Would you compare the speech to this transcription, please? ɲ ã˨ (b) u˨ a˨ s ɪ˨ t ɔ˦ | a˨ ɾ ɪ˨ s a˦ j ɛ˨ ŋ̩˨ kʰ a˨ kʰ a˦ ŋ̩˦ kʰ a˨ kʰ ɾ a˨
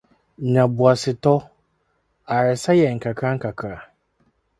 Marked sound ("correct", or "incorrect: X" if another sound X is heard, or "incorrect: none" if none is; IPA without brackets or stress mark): correct